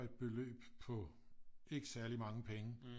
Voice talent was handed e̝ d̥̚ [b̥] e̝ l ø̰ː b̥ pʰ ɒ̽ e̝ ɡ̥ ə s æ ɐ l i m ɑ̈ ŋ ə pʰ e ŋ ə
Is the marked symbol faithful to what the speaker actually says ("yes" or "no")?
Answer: yes